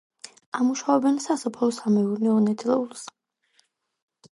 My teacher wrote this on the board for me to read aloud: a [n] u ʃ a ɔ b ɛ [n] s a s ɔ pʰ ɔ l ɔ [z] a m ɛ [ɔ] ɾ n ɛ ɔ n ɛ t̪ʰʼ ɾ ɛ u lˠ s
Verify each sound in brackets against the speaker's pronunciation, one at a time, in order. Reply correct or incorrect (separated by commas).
incorrect, correct, incorrect, incorrect